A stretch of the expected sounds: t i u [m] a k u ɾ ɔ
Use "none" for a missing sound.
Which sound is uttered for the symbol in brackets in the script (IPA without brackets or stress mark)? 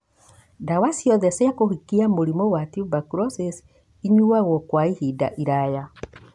b